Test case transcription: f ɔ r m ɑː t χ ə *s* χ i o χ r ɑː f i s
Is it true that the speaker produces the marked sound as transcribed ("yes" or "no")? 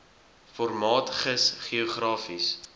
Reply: yes